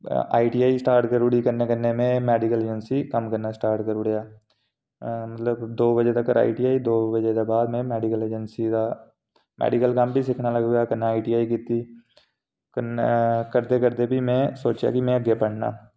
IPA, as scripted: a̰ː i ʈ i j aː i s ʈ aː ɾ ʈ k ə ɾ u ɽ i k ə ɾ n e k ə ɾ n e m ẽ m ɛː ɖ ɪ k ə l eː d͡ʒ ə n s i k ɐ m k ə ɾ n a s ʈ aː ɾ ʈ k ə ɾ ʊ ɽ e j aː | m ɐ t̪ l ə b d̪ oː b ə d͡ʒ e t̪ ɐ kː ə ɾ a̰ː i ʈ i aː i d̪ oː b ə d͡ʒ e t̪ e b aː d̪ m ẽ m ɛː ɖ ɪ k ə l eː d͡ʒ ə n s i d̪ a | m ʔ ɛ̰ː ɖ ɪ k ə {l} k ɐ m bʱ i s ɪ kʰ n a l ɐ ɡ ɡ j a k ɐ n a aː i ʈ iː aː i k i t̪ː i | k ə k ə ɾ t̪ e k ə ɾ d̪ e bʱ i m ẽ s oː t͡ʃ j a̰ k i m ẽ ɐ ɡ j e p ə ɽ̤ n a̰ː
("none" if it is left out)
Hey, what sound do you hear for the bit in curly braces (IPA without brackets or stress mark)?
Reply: l